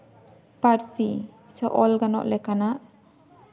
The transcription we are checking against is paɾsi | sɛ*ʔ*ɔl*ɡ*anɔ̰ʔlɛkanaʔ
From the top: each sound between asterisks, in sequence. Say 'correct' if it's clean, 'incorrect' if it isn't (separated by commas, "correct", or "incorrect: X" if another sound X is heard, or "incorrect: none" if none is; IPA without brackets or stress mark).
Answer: correct, correct